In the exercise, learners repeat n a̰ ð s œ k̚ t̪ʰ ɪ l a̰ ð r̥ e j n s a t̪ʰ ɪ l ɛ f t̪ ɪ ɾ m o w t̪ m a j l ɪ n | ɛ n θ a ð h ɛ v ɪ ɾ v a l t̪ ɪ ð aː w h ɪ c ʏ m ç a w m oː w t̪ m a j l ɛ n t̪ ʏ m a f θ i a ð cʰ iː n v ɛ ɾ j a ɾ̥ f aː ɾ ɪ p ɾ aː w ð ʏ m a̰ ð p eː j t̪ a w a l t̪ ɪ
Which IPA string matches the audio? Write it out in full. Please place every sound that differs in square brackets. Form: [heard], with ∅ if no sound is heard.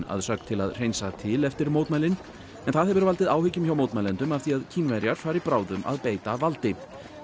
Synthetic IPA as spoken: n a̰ ð s œ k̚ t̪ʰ ɪ l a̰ ð r̥ e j n s a t̪ʰ ɪ l ɛ f t̪ ɪ ɾ m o w t̪ m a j l ɪ n | ɛ n θ a ð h ɛ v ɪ ɾ v a l t̪ ɪ ð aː w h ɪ c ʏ m ç a w m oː w t̪ m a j l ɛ n t̪ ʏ m a f θ i a ð cʰ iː n v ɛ ɾ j a ɾ̥ f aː ɾ ɪ p ɾ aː w ð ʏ m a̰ ð p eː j t̪ a [v] a l t̪ ɪ